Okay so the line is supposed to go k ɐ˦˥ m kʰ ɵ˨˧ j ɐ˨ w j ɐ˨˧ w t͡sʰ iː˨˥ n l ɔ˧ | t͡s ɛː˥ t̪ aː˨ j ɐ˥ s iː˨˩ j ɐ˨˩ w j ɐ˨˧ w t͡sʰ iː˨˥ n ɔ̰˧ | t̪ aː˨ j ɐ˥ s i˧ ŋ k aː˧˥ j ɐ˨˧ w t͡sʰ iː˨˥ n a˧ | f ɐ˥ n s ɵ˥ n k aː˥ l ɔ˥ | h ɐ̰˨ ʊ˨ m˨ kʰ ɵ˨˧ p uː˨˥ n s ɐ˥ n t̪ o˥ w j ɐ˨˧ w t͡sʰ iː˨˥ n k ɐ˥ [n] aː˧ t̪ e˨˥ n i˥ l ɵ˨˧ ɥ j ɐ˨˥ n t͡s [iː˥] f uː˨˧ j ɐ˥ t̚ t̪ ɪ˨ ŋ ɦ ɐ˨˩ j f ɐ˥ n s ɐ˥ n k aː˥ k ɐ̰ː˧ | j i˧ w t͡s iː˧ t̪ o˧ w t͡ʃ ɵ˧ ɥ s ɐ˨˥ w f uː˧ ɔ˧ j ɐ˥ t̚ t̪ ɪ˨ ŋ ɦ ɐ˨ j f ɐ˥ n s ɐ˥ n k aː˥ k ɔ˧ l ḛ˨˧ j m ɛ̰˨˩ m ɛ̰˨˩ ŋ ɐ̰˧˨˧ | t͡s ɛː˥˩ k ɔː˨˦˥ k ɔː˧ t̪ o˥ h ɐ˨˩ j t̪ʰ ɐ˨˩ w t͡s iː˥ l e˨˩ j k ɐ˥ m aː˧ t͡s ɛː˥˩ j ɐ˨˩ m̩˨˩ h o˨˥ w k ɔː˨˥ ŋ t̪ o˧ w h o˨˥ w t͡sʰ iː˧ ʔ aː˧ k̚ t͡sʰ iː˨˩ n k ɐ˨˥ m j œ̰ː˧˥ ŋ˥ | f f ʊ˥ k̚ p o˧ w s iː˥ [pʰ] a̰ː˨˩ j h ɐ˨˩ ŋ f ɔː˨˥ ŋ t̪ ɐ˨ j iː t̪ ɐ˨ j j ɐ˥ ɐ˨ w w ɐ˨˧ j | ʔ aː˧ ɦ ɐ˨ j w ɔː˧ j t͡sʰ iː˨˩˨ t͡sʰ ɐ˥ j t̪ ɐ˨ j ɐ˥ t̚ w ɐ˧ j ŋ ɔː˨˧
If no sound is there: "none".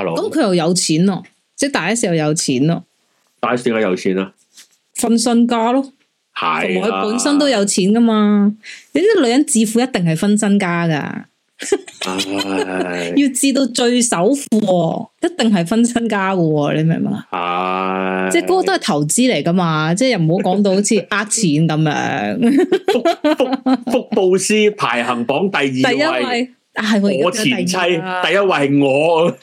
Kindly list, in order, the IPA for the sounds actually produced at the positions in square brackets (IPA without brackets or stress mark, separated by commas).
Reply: m, iː˧, pʰ